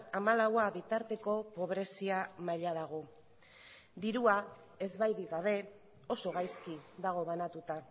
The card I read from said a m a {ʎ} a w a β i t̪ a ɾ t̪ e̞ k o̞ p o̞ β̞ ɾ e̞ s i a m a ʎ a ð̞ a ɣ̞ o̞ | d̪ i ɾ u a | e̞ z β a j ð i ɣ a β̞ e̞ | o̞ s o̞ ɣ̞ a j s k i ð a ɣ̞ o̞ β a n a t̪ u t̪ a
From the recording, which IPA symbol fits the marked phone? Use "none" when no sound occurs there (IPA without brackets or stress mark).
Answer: l